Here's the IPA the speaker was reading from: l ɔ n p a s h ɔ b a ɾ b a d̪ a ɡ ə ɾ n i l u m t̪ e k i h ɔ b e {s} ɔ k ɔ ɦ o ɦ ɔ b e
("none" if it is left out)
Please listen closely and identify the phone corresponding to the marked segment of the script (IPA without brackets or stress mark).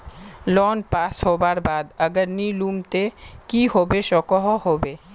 ʃ